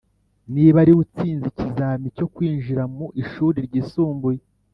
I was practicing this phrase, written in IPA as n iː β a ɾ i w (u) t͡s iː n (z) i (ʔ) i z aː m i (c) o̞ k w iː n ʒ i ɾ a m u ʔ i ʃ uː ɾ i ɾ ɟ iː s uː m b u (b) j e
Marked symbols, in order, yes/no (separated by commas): yes, yes, no, yes, no